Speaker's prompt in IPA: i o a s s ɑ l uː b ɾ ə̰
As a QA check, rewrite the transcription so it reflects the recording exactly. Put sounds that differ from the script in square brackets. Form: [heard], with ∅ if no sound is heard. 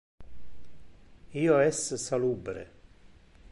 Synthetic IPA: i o [ɛ] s s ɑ l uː b ɾ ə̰

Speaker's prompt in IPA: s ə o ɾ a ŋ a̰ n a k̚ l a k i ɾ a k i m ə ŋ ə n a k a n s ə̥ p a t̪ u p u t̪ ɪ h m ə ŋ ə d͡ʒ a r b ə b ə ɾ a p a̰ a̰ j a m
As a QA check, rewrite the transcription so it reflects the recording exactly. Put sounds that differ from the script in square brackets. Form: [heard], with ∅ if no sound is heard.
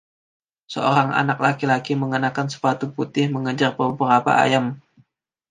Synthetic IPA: s ə o ɾ a ŋ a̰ n a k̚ l a k i [l] a k i m ə ŋ ə n a k a n s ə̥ p a t̪ u p u t̪ ɪ h m ə ŋ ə d͡ʒ a r b ə b ə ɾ a p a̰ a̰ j a m

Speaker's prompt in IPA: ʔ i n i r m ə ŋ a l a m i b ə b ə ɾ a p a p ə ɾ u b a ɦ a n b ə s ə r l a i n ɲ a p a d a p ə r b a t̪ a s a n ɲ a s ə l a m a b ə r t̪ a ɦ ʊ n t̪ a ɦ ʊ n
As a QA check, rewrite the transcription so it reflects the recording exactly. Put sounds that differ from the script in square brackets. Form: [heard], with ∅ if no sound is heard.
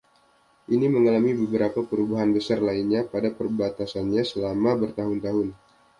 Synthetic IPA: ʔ i n i [∅] m ə ŋ a l a m i b ə b ə ɾ a p a p ə ɾ u b a ɦ a n b ə s [a] r l a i n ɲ a p a d a p ə r b a t̪ a s a n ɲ a s ə l a m a b ə r t̪ a ɦ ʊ n t̪ a ɦ ʊ n

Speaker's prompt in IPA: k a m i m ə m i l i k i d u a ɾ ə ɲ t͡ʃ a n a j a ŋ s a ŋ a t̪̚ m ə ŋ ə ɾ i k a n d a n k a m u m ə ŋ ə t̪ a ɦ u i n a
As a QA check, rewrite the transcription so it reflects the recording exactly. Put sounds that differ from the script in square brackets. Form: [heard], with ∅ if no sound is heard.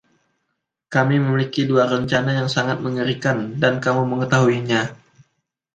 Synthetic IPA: k a m i m ə m i l i k i d u a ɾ ə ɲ t͡ʃ a n a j a ŋ s a ŋ a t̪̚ m ə ŋ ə ɾ i k a n d a n k a m u m ə ŋ ə t̪ a ɦ u i [ɲ] a

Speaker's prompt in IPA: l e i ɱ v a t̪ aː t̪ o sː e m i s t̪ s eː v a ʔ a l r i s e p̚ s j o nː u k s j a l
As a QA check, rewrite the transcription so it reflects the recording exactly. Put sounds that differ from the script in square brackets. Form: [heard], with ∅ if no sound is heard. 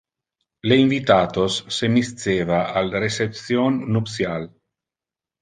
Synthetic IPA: l e i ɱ v [i] t̪ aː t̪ o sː e m i s t̪ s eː v a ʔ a l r [e] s e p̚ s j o nː u [p] s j a l

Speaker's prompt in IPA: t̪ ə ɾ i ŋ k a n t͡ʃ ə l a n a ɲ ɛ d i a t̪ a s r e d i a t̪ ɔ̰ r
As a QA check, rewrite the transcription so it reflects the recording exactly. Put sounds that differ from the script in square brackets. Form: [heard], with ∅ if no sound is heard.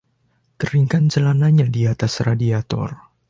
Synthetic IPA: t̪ ə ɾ i ŋ k a n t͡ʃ ə l a n a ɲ [a] d i a t̪ a s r [a] d i a t̪ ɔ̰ r

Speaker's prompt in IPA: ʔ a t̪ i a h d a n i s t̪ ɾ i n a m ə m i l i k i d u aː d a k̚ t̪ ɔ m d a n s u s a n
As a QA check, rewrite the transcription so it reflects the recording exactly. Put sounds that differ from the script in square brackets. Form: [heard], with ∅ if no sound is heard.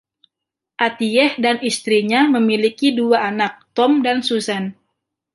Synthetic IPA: ʔ a t̪ i [ɛ] h d a n i s t̪ ɾ i [ɲ] a m ə m i l i k i d u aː [n] a k̚ t̪ ɔ m d a n s u s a n

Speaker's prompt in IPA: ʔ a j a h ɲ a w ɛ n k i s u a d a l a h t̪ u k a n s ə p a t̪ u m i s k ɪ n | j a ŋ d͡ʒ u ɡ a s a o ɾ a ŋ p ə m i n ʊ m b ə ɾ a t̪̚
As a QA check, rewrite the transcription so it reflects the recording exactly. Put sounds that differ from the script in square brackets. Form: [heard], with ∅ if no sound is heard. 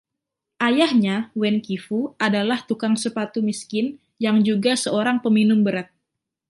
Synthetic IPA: ʔ a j a h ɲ a w ɛ n k i [f] u a d a l a h t̪ u k a [ŋ] s ə p a t̪ u m i s k ɪ n | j a ŋ d͡ʒ u ɡ a s [ə] o ɾ a ŋ p ə m i n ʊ m b ə ɾ a t̪̚

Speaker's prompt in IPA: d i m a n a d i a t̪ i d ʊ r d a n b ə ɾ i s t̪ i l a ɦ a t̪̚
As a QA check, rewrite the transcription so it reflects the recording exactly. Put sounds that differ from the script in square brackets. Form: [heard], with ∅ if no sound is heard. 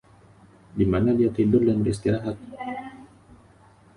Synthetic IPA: d i m a n a d i a t̪ i d ʊ r d a n b ə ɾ i s t̪ i [ɾ] a ɦ a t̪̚

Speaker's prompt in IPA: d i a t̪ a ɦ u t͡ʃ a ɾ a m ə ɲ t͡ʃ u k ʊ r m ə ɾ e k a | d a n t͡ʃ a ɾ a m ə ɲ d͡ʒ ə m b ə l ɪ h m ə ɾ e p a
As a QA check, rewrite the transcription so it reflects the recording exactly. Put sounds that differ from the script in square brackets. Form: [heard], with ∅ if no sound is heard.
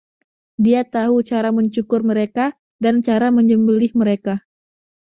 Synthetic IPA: d i a t̪ a ɦ u t͡ʃ a ɾ a m ə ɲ t͡ʃ u k ʊ r m ə ɾ e k a | d a n t͡ʃ a ɾ a m ə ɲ d͡ʒ ə m b ə l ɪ h m ə ɾ e [k] a

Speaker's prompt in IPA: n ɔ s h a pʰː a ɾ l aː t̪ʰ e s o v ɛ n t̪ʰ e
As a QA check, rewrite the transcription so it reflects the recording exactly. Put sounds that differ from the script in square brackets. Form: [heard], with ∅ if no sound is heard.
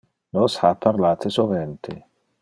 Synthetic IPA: n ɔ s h a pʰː a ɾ l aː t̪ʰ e s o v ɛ n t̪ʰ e

